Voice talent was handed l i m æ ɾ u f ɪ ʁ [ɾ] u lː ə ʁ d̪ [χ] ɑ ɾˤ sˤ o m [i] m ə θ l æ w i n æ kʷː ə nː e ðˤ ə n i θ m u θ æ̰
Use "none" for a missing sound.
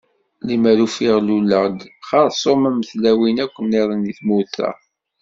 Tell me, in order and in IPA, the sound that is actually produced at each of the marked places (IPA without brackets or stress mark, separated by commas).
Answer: l, χ, æ